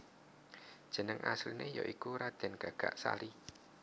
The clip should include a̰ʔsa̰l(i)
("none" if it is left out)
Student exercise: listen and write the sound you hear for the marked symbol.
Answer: i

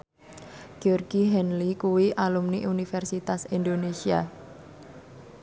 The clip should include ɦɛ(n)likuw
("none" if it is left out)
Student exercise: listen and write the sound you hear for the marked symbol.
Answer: n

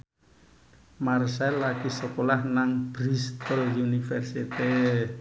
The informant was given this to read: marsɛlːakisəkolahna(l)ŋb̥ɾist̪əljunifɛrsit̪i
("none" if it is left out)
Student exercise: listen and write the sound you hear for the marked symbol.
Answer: none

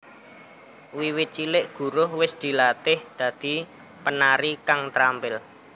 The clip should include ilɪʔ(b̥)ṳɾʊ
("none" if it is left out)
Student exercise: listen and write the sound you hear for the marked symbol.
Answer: ɡ̥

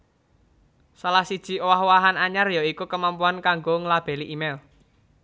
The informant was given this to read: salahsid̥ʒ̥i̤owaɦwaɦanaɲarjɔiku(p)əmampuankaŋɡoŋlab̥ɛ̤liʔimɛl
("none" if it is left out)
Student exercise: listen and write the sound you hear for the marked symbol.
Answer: k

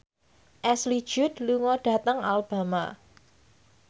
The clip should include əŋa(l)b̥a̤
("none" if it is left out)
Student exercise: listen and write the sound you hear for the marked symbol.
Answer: l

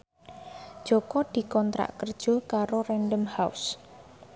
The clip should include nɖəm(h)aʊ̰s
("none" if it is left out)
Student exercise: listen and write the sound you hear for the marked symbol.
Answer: h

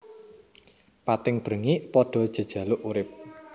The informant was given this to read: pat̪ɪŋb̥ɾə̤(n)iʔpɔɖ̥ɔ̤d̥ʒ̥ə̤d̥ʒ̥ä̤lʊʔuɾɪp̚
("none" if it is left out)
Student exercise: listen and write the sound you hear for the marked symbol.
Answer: ŋ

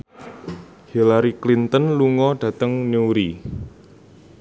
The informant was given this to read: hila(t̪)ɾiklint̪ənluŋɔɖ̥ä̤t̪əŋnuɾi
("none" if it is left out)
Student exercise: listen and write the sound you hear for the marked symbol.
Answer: none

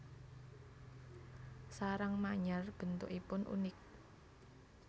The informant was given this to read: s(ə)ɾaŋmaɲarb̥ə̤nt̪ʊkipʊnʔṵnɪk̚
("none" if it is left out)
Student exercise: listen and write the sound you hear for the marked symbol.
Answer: a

